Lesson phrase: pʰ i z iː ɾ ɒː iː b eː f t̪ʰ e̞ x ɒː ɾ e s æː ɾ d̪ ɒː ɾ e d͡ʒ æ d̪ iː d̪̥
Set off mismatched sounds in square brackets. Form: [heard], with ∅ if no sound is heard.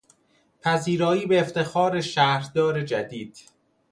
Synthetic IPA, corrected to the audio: pʰ [æ] z iː ɾ ɒː iː b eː f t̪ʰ e̞ x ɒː ɾ e [ʃ] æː ɾ d̪ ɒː ɾ e d͡ʒ æ d̪ iː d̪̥